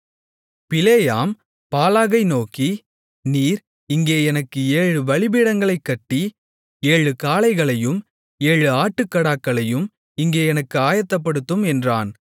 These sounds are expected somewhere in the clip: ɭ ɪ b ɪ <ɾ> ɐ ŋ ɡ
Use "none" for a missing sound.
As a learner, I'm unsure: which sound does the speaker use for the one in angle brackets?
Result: ɽ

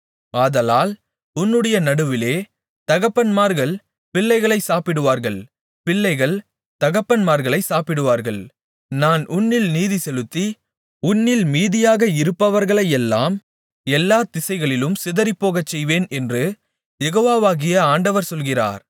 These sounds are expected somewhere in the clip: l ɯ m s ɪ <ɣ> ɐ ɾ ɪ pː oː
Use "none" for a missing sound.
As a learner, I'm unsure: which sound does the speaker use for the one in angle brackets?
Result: ð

